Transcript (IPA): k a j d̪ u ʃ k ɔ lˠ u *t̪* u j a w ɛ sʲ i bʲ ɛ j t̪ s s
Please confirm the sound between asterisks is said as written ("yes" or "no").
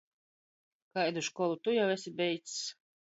yes